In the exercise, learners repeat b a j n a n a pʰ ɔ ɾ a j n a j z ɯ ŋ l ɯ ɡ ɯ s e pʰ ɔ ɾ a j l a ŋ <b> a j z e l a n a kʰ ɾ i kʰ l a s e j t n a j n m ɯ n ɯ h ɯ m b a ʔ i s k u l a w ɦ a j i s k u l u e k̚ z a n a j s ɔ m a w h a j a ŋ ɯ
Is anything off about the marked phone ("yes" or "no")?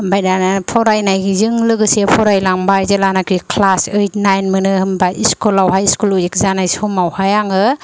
no